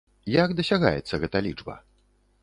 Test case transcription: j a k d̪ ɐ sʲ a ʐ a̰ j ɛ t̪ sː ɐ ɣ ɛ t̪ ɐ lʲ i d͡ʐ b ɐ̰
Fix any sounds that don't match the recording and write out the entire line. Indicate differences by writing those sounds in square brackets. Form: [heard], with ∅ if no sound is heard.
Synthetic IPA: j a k d̪ ɐ sʲ a [ɣ] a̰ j ɛ t̪ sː ɐ ɣ ɛ t̪ ɐ lʲ i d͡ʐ b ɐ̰